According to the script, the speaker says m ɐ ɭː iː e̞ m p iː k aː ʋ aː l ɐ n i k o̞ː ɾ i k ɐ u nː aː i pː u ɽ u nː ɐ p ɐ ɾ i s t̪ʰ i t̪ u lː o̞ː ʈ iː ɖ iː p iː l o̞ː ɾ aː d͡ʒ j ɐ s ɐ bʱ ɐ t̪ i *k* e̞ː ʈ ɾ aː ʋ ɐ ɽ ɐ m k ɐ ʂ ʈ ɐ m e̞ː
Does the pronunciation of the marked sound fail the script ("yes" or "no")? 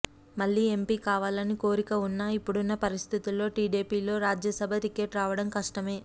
no